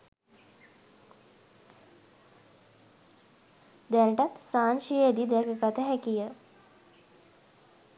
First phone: d̪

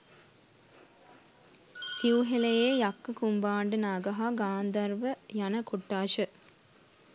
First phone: s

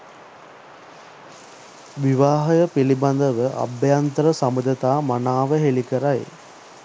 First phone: ʋ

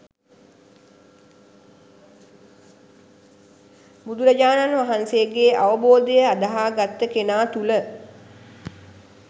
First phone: b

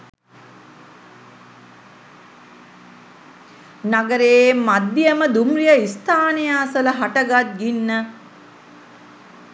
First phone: n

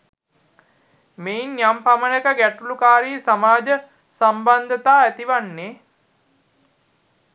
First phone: m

